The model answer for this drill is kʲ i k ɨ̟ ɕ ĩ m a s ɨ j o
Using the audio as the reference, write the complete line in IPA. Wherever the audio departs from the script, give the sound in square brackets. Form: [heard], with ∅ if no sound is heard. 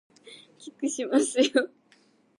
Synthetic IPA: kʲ i k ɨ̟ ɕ [i] m a s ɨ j o